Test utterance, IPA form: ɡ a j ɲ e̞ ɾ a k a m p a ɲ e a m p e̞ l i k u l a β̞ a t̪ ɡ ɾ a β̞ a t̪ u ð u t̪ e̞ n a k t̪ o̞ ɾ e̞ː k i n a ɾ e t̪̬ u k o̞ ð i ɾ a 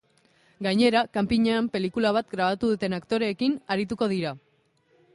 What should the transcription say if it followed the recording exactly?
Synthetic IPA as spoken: ɡ a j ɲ e̞ ɾ a k a m p i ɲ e a m p e̞ l i k u l a β̞ a t̪ ɡ ɾ a β̞ a t̪ u ð u t̪ e̞ n a k t̪ o̞ ɾ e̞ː k i n a ɾ i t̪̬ u k o̞ ð i ɾ a